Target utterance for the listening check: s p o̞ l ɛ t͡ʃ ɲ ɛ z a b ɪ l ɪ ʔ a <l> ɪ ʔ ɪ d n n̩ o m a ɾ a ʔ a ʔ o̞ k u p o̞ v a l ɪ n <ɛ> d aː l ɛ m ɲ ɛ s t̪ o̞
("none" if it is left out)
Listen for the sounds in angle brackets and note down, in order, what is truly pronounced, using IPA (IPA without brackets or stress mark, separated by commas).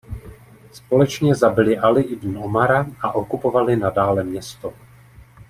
l, a